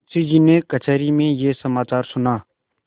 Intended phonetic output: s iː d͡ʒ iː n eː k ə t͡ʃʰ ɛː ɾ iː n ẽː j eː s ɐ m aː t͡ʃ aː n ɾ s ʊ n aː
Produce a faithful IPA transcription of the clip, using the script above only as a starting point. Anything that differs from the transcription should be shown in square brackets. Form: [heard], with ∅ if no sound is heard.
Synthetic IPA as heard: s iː d͡ʒ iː n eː k ə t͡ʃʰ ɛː ɾ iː [m] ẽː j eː s [ə] m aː t͡ʃ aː [∅] ɾ s ʊ n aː